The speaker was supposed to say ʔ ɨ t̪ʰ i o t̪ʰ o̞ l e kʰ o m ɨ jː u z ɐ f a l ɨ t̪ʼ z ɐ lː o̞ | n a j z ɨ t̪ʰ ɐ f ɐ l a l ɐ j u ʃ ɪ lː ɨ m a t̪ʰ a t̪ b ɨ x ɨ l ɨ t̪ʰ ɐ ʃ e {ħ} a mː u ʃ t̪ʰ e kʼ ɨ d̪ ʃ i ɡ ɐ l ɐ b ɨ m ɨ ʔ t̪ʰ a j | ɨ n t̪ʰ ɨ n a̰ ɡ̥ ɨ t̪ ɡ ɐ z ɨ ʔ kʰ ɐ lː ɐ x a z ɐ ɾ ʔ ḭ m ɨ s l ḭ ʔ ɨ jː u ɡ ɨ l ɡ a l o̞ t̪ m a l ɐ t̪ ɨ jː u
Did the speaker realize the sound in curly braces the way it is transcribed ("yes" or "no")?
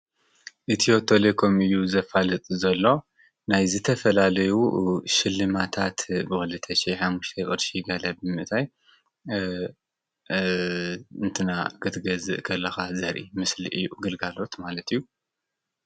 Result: yes